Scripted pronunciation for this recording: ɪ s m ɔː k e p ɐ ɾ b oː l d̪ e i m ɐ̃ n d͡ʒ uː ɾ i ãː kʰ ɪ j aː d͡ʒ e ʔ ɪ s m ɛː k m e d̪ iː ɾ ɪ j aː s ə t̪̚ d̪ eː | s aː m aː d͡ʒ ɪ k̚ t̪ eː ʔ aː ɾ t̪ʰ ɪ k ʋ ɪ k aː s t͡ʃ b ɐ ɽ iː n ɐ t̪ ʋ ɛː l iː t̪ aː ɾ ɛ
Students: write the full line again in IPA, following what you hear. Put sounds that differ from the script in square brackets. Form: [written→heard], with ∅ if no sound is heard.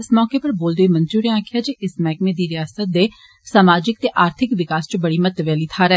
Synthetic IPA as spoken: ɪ s m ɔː k e p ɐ ɾ b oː l d̪ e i m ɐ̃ n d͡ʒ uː ɾ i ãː kʰ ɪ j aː d͡ʒ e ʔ ɪ s m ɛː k m e d̪ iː ɾ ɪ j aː s ə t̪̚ d̪ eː | s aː m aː d͡ʒ ɪ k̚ t̪ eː ʔ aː ɾ t̪ʰ ɪ k ʋ ɪ k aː s t͡ʃ b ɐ ɽ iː [n→m] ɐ t̪ ʋ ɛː l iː [t̪→t̪ʰ] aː ɾ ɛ